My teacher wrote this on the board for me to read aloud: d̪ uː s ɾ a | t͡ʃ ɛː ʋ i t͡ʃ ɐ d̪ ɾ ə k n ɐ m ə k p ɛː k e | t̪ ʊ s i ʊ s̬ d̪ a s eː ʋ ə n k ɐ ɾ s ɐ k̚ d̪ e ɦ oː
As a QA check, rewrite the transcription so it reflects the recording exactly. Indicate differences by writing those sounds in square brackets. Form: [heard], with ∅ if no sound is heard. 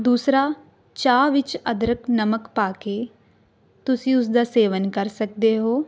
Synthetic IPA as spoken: d̪ uː s ɾ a | t͡ʃ [aː] ʋ [ɪ] t͡ʃ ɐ d̪ ɾ ə k n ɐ m ə k p [aː] k e | t̪ ʊ s i ʊ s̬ d̪ a s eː ʋ ə n k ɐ ɾ s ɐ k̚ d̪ e ɦ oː

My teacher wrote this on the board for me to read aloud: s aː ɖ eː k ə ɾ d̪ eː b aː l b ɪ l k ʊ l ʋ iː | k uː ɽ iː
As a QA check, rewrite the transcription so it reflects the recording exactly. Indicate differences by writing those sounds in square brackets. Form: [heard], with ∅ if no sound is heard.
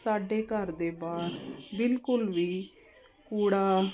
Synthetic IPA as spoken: s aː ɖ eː k ə ɾ d̪ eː b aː [ɾ] b ɪ l k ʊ l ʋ iː | k uː ɽ [aː]

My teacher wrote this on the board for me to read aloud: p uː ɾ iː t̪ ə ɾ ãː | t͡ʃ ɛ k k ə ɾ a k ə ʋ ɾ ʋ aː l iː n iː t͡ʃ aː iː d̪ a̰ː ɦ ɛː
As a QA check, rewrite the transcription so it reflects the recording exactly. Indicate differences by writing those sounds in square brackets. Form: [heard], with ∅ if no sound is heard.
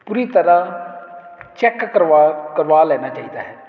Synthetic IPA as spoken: p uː ɾ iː t̪ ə ɾ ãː | t͡ʃ ɛ k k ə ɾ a k ə [∅] ɾ ʋ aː l [ɛː] n [aː] t͡ʃ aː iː d̪ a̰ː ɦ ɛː

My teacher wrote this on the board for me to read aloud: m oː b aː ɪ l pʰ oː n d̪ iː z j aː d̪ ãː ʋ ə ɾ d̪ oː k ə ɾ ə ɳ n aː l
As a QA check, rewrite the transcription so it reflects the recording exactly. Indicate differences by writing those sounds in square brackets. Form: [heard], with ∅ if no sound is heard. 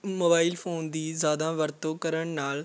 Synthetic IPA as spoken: m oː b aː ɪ l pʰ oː n d̪ iː z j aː d̪ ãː ʋ ə ɾ [t̪] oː k ə ɾ ə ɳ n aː l

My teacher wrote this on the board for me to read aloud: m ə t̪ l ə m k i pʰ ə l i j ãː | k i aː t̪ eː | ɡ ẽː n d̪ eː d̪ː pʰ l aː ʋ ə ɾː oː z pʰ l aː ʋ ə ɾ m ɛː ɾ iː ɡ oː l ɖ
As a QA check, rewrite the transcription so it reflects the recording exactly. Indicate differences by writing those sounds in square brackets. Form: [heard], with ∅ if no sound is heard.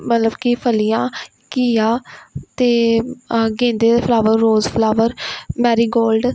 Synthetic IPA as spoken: m ə t̪ l ə [b] k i pʰ ə l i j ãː | k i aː t̪ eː | ɡ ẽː n d̪ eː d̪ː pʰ l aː ʋ ə ɾː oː z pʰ l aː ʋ ə ɾ m ɛː ɾ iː ɡ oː l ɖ

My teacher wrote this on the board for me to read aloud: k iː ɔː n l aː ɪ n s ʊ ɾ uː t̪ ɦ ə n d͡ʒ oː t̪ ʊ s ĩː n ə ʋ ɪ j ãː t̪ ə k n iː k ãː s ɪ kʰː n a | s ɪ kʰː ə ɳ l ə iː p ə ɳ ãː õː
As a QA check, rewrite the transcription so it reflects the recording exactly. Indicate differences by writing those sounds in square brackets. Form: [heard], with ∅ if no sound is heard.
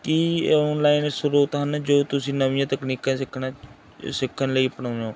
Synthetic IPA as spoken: k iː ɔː n l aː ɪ n s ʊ ɾ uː t̪ ɦ ə n d͡ʒ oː t̪ ʊ s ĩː n ə ʋ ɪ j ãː t̪ ə k n iː k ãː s ɪ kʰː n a | s ɪ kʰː ə [n] l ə iː p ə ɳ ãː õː

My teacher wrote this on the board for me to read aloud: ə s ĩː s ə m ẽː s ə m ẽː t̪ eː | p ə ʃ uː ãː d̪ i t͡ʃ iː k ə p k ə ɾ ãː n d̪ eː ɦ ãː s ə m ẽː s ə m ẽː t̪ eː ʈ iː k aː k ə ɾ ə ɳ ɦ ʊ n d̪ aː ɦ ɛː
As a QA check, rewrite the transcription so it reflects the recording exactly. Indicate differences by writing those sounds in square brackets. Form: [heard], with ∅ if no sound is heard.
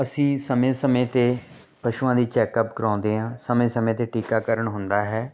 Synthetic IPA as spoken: ə s ĩː s ə m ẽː s ə m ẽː t̪ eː | p ə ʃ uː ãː d̪ [iː] t͡ʃ [ɛː] k ə p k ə ɾ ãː n d̪ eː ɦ ãː s ə m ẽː s ə m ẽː t̪ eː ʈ iː k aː k ə ɾ ə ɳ ɦ ʊ n d̪ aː ɦ ɛː

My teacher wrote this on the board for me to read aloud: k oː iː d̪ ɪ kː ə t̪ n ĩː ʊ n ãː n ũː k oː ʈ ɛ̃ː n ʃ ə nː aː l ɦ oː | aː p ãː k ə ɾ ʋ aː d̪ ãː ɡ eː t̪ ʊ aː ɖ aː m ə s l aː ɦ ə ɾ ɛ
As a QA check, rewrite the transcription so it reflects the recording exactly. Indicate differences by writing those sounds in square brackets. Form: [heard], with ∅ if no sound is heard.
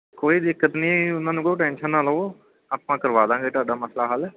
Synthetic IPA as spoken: k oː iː d̪ ɪ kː ə t̪ n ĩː ʊ n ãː n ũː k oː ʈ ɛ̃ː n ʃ ə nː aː l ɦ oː | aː p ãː k ə ɾ ʋ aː d̪ ãː ɡ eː t̪ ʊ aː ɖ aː m ə s l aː ɦ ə [l] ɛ

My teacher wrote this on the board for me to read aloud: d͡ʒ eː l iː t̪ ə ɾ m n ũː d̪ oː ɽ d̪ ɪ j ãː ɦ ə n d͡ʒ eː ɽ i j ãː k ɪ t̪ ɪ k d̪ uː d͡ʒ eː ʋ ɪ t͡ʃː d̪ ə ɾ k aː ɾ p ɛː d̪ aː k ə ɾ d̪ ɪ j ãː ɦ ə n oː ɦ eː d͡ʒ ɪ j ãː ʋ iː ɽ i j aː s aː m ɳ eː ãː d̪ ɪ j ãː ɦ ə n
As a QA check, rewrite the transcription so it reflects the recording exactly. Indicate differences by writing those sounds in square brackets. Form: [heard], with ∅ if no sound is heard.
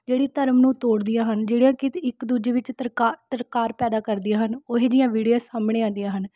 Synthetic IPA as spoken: d͡ʒ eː [ɽ] iː t̪ ə ɾ m n ũː [t̪] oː ɽ d̪ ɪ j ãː ɦ ə n d͡ʒ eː ɽ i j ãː k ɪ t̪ ɪ k d̪ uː d͡ʒ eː ʋ ɪ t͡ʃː [t̪] ə ɾ k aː ɾ p ɛː d̪ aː k ə ɾ d̪ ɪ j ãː ɦ ə n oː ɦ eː d͡ʒ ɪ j ãː ʋ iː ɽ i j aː s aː m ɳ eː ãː d̪ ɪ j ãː ɦ ə n

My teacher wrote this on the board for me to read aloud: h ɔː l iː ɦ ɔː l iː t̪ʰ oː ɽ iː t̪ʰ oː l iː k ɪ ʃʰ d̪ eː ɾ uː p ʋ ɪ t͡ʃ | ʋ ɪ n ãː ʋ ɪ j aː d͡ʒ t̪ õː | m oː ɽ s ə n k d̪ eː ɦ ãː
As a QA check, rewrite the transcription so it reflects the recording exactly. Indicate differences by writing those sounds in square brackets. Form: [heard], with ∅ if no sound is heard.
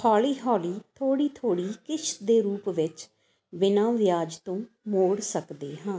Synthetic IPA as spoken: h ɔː l iː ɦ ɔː l iː t̪ʰ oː ɽ iː t̪ʰ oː [ɽ] iː k ɪ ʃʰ d̪ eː ɾ uː p ʋ ɪ t͡ʃ | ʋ ɪ n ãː ʋ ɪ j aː d͡ʒ t̪ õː | m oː ɽ s ə [∅] k d̪ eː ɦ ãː

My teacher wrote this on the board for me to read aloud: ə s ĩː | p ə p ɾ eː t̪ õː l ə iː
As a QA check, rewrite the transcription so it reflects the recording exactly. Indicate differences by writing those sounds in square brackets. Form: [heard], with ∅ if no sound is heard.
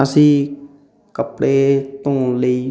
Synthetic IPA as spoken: ə s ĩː | [k] ə p [ɽ] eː t̪ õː l ə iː

